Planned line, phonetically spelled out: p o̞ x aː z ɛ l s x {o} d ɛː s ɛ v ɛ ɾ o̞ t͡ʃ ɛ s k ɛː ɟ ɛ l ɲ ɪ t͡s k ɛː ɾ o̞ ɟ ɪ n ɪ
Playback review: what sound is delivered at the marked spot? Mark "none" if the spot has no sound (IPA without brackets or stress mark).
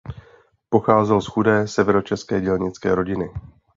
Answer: u